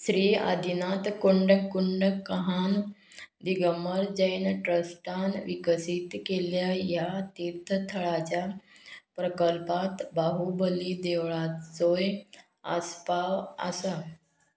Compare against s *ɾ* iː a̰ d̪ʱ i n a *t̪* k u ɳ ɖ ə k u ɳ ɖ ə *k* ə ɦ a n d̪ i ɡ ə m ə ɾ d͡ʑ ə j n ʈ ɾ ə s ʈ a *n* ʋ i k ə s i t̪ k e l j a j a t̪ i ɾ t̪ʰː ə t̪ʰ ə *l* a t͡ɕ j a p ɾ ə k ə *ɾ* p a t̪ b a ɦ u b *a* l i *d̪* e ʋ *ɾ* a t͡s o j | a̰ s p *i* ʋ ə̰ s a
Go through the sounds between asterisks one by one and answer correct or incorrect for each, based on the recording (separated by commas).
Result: correct, correct, correct, correct, incorrect, incorrect, incorrect, correct, incorrect, incorrect